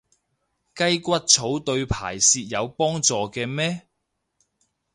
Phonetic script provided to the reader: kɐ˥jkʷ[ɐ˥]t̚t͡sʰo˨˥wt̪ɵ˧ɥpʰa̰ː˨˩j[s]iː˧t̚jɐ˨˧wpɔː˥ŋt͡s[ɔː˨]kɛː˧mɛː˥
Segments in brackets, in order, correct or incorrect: correct, correct, correct

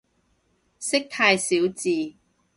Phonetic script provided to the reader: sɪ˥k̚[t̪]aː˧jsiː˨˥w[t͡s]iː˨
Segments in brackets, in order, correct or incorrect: incorrect, correct

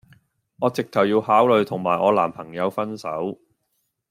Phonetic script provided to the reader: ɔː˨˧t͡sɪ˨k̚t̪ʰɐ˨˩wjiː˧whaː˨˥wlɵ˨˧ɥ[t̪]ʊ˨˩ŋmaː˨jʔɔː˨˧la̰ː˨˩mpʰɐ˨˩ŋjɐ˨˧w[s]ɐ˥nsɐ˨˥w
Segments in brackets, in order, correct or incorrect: incorrect, incorrect

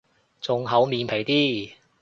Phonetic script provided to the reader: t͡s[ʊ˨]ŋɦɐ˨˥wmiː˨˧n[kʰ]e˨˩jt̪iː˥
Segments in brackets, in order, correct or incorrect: correct, incorrect

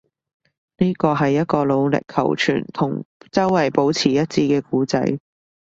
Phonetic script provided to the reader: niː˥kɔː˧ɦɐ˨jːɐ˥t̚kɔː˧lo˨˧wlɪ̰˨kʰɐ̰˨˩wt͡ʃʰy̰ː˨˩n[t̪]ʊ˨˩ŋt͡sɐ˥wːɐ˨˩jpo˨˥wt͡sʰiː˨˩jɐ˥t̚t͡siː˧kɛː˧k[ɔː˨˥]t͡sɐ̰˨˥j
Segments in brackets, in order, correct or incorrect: incorrect, incorrect

